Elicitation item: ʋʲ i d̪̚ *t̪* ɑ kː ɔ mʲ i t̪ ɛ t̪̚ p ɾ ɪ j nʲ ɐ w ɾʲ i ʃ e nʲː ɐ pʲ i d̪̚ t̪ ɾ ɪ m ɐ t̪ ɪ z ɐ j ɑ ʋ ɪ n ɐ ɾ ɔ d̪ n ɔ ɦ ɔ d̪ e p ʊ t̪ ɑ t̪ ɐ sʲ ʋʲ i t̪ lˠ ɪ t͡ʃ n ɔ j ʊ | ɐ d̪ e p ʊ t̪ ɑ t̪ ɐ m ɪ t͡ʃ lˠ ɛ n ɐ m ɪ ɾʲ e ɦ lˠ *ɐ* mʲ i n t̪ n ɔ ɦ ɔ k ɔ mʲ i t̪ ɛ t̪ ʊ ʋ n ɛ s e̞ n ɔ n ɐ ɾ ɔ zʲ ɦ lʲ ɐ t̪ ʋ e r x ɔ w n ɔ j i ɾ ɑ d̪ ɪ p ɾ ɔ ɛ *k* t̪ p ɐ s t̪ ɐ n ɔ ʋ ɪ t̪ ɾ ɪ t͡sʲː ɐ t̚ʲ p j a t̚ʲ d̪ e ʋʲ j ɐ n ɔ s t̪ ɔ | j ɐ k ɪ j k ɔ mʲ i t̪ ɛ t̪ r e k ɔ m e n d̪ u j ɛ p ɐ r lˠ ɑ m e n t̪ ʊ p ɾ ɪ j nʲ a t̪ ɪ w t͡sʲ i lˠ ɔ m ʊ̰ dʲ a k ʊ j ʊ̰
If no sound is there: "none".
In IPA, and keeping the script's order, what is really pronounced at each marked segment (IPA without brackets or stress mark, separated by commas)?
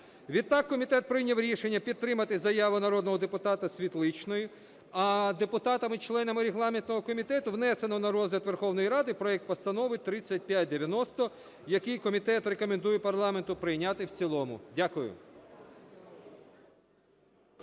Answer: t̪, ɑ, k